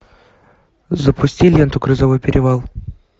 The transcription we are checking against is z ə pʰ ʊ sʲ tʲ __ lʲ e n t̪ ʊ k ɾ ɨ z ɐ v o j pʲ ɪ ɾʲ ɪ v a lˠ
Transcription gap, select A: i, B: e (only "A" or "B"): A